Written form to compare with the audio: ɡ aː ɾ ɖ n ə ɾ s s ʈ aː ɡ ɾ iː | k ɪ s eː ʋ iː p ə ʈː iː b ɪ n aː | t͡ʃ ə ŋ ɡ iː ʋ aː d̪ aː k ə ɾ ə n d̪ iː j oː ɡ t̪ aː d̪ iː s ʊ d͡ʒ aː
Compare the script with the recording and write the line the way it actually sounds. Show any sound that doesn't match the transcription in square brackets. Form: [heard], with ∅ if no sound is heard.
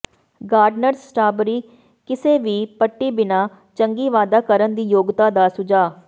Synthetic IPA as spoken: ɡ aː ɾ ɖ n ə ɾ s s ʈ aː [b] ɾ iː | k ɪ s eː ʋ iː p ə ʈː iː b ɪ n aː | t͡ʃ ə ŋ ɡ iː ʋ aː d̪ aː k ə ɾ ə n d̪ iː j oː ɡ t̪ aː d̪ [aː] s ʊ d͡ʒ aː